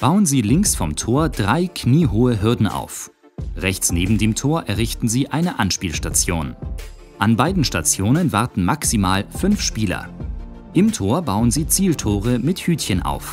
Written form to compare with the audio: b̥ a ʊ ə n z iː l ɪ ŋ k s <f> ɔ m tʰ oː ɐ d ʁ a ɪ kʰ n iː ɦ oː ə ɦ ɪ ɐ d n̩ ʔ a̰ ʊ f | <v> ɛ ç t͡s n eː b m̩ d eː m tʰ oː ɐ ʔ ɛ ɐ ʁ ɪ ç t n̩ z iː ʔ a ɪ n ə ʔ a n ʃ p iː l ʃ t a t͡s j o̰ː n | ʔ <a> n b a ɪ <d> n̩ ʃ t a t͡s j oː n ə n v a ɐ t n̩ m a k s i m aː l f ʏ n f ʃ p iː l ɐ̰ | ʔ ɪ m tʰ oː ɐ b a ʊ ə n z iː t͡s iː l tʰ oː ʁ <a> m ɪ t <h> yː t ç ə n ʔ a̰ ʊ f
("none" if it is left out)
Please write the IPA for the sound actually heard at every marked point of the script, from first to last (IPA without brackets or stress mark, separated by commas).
f, ʁ, a, d, ə, h